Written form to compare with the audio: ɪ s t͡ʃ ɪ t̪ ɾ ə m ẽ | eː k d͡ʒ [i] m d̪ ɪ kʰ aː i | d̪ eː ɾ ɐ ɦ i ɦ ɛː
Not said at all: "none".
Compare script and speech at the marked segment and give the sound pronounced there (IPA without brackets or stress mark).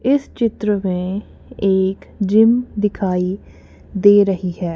ɪ